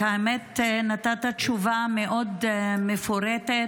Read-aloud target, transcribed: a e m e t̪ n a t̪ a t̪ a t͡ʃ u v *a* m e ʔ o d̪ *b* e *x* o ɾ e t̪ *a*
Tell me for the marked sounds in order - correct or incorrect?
correct, incorrect: m, incorrect: f, incorrect: e

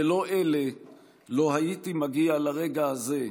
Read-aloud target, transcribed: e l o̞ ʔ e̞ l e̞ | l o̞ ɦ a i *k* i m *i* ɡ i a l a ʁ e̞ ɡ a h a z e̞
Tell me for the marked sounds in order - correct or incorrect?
incorrect: t, incorrect: a

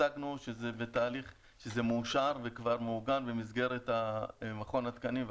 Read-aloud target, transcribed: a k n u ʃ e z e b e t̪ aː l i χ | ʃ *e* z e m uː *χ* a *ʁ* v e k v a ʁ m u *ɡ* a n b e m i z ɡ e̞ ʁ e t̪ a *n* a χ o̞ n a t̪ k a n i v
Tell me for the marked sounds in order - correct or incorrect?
correct, incorrect: ʃ, correct, correct, incorrect: m

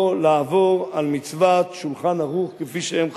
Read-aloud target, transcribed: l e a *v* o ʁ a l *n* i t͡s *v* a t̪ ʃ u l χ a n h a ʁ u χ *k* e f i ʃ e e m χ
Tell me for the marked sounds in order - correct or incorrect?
correct, incorrect: m, correct, correct

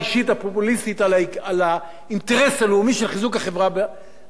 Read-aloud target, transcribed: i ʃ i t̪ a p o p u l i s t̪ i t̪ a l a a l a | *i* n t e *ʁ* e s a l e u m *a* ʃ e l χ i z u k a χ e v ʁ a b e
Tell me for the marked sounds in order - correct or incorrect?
correct, correct, incorrect: i

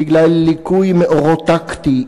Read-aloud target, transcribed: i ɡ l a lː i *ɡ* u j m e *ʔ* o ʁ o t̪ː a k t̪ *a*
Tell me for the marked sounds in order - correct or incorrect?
incorrect: k, correct, incorrect: i

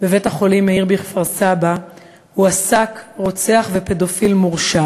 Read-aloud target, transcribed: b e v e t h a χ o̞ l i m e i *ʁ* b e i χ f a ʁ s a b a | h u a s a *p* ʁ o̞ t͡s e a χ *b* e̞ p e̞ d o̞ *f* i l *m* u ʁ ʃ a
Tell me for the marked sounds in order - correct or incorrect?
correct, incorrect: k, incorrect: v, correct, correct

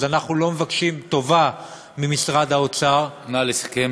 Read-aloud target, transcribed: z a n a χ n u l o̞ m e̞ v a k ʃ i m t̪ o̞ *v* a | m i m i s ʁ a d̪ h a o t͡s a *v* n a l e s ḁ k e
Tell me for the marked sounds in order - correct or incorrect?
correct, incorrect: ʁ

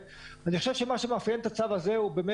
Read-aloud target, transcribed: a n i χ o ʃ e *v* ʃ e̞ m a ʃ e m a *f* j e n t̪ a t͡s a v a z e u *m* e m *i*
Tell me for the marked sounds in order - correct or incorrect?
correct, correct, incorrect: b, incorrect: e

